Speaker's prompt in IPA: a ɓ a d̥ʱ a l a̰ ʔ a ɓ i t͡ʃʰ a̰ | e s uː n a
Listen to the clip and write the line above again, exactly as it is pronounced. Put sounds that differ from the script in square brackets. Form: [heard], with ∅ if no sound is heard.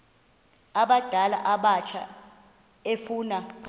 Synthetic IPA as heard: a ɓ a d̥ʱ a l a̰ ʔ a ɓ [a] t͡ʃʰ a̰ | e [f] uː n a